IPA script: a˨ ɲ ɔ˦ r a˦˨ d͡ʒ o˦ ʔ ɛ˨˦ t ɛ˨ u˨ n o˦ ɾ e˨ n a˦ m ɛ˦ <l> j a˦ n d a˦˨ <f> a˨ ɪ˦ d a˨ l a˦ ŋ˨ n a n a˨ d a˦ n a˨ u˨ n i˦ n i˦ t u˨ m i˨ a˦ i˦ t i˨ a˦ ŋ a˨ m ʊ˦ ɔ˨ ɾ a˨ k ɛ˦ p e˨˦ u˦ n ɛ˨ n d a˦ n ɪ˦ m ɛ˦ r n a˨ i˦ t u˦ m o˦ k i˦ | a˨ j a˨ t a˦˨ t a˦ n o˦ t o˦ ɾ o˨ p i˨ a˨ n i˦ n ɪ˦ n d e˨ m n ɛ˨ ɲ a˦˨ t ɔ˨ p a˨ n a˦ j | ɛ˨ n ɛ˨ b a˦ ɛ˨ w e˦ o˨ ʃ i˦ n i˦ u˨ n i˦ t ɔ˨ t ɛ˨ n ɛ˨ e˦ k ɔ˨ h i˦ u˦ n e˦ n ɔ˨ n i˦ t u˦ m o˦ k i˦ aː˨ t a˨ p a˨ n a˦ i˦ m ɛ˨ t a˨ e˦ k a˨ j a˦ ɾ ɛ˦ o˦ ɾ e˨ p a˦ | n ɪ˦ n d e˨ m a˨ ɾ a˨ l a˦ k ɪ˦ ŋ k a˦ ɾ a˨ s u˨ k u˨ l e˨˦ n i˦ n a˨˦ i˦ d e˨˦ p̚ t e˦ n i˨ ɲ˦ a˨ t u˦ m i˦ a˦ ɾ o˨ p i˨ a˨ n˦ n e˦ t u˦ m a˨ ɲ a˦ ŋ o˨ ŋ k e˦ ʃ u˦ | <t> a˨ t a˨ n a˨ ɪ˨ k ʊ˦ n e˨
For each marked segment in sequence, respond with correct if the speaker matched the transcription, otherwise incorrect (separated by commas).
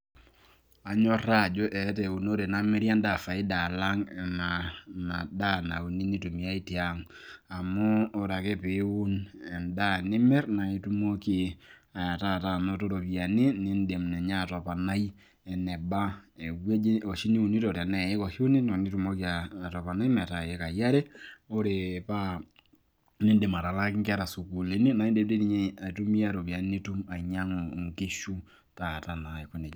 incorrect, correct, correct